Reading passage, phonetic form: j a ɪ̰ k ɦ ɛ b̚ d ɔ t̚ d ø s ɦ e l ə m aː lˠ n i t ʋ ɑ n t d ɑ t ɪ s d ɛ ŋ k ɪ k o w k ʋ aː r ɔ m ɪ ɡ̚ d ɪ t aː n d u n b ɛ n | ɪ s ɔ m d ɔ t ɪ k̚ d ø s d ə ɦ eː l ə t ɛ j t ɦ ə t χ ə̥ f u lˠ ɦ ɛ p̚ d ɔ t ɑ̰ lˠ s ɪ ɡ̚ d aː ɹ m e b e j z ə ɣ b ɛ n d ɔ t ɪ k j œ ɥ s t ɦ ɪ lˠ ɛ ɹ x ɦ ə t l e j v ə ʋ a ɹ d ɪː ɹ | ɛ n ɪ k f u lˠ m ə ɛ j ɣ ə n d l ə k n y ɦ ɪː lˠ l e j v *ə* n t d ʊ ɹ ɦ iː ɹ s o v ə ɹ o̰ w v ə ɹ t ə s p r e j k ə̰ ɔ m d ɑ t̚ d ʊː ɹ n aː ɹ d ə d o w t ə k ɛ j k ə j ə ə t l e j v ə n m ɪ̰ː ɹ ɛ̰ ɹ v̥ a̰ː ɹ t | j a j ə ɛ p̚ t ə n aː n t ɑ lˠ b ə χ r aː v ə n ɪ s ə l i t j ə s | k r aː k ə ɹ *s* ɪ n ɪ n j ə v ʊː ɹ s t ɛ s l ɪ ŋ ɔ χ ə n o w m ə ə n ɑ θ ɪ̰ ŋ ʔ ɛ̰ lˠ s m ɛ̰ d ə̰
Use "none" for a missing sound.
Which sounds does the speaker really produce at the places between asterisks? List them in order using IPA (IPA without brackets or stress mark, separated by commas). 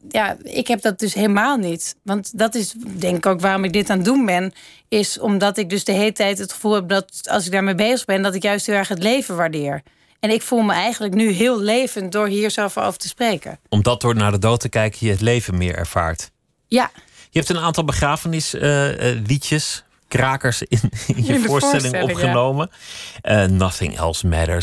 ə, s